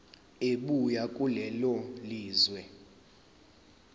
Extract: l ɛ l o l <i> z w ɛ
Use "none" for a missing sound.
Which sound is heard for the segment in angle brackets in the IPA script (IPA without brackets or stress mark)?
iː